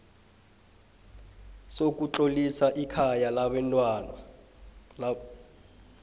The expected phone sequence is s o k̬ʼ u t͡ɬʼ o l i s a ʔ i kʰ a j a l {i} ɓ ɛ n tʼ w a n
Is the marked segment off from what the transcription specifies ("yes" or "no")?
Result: yes